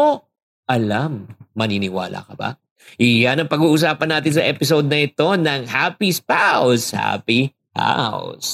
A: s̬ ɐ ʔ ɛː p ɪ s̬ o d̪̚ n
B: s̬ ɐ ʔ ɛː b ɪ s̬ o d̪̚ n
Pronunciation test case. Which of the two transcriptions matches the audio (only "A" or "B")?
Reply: A